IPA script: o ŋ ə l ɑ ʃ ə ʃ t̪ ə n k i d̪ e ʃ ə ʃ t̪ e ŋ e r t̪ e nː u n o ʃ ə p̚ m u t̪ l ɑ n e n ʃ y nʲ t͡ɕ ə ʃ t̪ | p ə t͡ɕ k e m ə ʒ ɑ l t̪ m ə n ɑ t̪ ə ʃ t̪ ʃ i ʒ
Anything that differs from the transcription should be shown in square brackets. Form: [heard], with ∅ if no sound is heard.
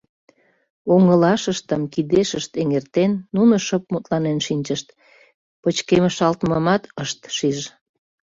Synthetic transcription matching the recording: o ŋ ə l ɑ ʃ ə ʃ t̪ ə [m] k i d̪ e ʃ ə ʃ t̪ e ŋ e r t̪ e nː u n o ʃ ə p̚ m u t̪ l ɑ n e n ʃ [i] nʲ t͡ɕ ə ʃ t̪ | p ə t͡ɕ k e m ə [ʃ] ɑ l t̪ m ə [m] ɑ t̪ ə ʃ t̪ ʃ i ʒ